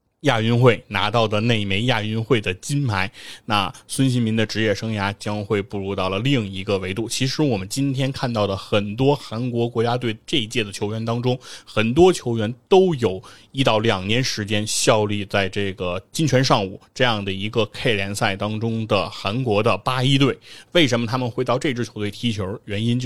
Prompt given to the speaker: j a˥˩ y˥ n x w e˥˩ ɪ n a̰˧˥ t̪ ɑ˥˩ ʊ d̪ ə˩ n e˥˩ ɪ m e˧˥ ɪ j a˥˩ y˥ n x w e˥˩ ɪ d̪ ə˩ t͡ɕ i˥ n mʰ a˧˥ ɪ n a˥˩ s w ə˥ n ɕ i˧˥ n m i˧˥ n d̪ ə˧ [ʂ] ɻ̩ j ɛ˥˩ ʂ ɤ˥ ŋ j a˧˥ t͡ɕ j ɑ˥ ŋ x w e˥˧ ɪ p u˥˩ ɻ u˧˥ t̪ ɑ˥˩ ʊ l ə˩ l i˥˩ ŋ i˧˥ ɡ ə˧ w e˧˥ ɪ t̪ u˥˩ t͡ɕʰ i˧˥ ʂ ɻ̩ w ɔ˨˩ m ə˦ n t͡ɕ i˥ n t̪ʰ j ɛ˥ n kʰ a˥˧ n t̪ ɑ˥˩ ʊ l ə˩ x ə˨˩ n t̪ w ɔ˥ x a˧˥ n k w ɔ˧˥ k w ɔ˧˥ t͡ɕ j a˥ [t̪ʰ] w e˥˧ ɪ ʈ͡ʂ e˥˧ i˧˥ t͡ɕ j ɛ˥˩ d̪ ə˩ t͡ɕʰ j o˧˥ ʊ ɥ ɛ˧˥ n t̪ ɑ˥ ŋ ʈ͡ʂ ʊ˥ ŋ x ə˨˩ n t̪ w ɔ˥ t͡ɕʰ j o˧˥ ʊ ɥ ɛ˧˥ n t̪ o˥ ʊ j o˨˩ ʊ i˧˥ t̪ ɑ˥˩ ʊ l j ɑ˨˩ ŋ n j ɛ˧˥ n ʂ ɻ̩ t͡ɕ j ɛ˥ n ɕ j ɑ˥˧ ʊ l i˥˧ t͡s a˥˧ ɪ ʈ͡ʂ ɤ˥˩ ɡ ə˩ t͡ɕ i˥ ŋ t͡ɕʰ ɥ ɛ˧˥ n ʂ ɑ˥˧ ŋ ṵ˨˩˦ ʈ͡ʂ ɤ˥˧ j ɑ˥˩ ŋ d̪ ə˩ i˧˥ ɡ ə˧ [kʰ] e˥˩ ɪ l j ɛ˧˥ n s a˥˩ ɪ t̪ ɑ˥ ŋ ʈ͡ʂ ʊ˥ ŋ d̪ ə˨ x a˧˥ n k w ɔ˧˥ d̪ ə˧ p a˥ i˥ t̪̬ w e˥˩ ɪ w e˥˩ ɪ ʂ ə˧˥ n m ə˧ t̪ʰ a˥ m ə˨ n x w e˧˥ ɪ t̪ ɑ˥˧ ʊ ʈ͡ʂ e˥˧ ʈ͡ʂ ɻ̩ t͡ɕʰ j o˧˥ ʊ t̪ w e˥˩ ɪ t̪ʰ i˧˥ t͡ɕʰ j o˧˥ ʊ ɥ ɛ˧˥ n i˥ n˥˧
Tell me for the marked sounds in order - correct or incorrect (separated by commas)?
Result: incorrect, incorrect, correct